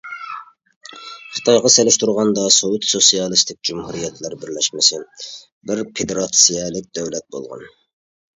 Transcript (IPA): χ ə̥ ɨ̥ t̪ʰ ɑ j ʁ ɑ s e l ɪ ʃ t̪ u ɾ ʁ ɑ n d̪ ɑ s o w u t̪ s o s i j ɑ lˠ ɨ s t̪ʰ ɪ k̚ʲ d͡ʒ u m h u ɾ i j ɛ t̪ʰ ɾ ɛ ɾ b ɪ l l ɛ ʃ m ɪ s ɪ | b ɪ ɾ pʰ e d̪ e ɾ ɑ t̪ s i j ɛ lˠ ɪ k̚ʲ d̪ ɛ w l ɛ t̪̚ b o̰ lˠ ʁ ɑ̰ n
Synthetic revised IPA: χ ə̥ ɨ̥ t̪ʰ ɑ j ʁ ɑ s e l ɪ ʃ t̪ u ɾ ʁ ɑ n d̪ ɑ s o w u t̪ s o s i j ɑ lˠ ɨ s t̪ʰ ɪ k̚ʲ d͡ʒ u m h u ɾ i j ɛ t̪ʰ l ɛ ɾ b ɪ ɾ l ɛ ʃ m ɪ s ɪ | b ɪ ɾ pʰ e d̪ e ɾ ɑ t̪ s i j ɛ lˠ ɪ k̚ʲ d̪ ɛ w l ɛ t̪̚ b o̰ lˠ ʁ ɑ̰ n